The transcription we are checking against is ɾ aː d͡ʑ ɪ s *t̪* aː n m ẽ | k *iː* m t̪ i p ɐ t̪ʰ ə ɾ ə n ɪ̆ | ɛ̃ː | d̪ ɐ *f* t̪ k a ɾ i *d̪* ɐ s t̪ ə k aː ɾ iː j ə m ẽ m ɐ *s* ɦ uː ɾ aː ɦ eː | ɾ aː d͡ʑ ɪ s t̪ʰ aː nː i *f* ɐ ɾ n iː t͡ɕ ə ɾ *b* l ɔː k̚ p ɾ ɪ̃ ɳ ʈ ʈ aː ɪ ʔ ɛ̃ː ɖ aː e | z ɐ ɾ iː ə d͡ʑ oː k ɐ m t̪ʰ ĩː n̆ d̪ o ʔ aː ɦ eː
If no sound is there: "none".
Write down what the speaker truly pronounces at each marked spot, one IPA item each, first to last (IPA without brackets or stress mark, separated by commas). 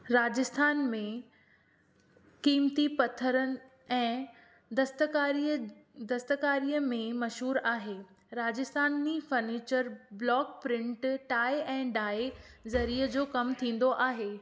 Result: t̪ʰ, iː, s, d̪, ʃ, f, b